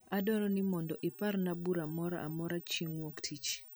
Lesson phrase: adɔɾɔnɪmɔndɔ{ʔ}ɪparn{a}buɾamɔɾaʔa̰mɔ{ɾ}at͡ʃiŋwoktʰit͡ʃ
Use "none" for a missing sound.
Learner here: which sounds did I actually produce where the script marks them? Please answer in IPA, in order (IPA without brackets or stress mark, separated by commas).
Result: ʔ, a, ɾ